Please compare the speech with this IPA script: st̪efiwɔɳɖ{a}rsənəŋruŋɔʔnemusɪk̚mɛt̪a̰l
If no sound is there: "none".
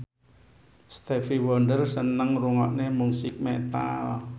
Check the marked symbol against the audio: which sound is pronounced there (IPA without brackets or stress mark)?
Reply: ə